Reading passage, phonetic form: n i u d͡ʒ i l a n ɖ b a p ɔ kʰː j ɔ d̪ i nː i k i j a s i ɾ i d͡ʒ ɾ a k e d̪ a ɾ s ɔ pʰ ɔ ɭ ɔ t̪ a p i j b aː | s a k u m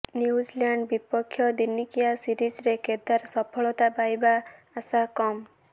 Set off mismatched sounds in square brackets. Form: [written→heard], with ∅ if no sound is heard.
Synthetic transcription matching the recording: n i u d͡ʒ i l a [n→ɳ] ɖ b [a→i] p ɔ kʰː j ɔ d̪ i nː i k i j a s i ɾ i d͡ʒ ɾ [a→e] k e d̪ a ɾ s ɔ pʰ ɔ ɭ ɔ t̪ a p [i→a] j b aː | s a k [u→ɔ] m